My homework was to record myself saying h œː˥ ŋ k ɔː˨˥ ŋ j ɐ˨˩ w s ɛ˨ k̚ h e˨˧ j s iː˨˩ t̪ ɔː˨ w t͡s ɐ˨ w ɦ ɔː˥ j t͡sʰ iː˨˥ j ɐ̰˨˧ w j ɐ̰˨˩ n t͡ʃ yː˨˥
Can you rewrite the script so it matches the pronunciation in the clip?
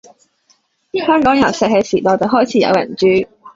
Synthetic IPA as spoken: h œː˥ ŋ k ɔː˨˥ ŋ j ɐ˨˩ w s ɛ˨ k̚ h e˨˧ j s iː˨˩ t̪ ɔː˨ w t͡s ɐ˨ w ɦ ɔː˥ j t͡sʰ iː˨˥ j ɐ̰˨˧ w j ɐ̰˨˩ n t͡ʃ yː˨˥